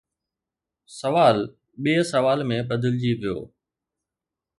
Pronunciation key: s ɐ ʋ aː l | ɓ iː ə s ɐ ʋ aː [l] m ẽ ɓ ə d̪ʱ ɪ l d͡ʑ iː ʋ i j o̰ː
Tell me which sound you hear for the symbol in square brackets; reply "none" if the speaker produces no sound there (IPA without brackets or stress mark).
l